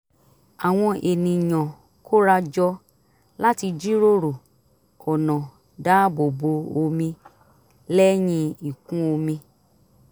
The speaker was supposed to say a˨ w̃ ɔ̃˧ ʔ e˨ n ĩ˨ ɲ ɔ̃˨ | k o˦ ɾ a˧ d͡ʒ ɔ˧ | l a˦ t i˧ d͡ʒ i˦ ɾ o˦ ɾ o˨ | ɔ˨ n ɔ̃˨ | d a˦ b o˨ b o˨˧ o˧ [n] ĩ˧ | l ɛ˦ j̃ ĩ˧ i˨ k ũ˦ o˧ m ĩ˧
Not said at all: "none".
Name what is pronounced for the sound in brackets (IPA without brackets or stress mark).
m